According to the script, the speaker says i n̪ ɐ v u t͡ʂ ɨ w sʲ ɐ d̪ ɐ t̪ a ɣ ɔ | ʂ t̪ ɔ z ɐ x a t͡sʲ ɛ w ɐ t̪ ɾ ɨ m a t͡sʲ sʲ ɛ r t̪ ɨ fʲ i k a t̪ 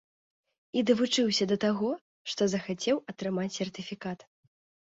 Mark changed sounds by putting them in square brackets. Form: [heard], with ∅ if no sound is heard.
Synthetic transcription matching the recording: i [d̪] ɐ v u t͡ʂ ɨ w sʲ ɐ d̪ ɐ t̪ a ɣ ɔ | ʂ t̪ ɔ z ɐ x a t͡sʲ ɛ w ɐ t̪ ɾ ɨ m a t͡sʲ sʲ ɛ r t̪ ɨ fʲ i k a t̪